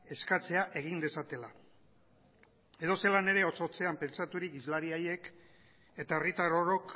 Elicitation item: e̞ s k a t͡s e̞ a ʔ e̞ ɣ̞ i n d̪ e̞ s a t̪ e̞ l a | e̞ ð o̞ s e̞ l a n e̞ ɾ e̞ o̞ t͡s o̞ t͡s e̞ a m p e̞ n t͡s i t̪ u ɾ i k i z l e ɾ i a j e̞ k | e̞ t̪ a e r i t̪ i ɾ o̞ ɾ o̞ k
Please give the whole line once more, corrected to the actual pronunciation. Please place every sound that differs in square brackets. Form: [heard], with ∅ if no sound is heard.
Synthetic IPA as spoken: e̞ s k a t͡s e̞ a ʔ e̞ ɣ̞ i n d̪ e̞ s a t̪ e̞ l a | e̞ ð o̞ s e̞ l a n e̞ ɾ e̞ o̞ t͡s o̞ t͡s e̞ a m p e̞ n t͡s [a] t̪ u ɾ i k i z l [a] ɾ i a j e̞ k | e̞ t̪ a e r i t̪ [a] ɾ o̞ ɾ o̞ k